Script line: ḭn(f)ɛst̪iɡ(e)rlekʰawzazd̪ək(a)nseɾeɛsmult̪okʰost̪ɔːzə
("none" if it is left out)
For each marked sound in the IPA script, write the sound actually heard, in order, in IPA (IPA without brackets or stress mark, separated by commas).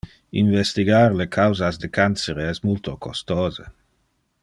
v, a, a